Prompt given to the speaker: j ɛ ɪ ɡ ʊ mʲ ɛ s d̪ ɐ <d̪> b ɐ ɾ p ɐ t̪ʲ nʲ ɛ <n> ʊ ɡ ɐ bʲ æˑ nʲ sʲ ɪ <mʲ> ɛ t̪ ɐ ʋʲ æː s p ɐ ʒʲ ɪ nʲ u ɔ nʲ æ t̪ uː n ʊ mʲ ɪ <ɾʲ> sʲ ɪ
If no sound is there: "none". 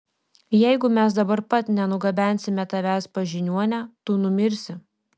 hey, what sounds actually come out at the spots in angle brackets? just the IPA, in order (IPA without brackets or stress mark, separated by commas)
none, n, mʲ, ɾʲ